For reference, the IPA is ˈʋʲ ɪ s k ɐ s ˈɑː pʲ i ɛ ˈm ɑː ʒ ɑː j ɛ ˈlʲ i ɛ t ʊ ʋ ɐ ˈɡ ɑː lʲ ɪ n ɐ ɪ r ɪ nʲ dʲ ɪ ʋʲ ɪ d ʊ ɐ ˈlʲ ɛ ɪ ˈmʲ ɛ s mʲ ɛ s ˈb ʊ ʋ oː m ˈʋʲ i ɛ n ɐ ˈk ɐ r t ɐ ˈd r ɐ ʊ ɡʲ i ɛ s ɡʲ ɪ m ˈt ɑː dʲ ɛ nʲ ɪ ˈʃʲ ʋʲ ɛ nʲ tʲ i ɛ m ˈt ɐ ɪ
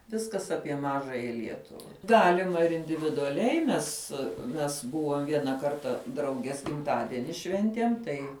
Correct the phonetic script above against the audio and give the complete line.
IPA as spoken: ˈʋʲ ɪ s k ɐ s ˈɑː pʲ i ɛ ˈm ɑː ʒ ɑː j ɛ ˈlʲ i ɛ t ʊ ʋ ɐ ˈɡ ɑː lʲ ɪ m ɐ ɪ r ɪ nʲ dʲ ɪ ʋʲ ɪ d ʊ ɐ ˈlʲ ɛ ɪ ˈmʲ ɛ s mʲ ɛ s ˈb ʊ ʋ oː m ˈʋʲ i ɛ n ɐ ˈk ɐ r t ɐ ˈd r ɐ ʊ ɡʲ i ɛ s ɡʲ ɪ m ˈt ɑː dʲ ɛ nʲ ɪ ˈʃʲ ʋʲ ɛ nʲ tʲ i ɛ m ˈt ɐ ɪ